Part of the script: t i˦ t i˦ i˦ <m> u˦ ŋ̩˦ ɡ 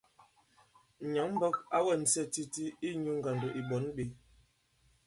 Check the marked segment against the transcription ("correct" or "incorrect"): incorrect